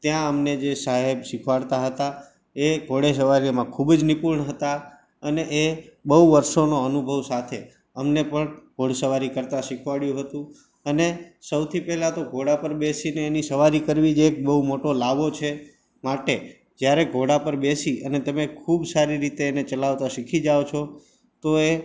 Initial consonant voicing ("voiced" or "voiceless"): voiceless